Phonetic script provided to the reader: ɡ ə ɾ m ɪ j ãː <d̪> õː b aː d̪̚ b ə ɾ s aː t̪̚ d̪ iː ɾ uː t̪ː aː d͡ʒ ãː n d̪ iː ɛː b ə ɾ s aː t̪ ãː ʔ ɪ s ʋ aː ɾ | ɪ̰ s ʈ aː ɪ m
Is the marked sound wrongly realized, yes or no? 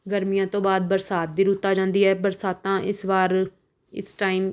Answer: yes